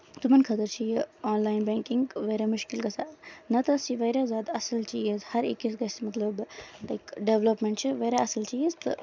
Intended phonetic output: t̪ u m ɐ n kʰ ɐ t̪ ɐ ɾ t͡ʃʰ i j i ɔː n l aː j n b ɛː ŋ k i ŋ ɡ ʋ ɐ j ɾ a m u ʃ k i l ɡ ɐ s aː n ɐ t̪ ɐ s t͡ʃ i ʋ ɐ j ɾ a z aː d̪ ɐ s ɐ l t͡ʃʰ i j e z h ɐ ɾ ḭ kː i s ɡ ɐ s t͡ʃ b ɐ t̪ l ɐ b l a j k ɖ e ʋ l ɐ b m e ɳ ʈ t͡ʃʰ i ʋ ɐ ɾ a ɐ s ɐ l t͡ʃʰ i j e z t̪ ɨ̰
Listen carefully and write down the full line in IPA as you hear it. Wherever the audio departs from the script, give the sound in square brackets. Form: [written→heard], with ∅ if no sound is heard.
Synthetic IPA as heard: t̪ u m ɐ n kʰ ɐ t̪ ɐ ɾ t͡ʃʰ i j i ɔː n l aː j n b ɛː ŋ k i ŋ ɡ ʋ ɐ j ɾ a m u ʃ k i l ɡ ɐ s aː n ɐ t̪ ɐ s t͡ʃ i ʋ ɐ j ɾ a z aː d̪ ɐ s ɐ l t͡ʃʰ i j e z h ɐ ɾ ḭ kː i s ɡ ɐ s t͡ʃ [b→m] ɐ t̪ l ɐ b l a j k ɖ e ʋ l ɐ [b→p] m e ɳ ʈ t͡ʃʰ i ʋ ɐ ɾ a ɐ s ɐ l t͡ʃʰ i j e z t̪ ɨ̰